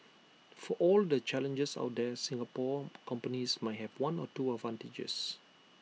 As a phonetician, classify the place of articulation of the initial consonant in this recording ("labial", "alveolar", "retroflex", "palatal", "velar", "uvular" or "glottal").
labial